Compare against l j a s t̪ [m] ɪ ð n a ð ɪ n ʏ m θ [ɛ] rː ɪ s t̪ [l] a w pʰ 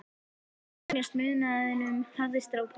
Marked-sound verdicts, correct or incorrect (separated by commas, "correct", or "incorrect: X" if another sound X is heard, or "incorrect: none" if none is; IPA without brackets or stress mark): correct, incorrect: a, incorrect: ɾ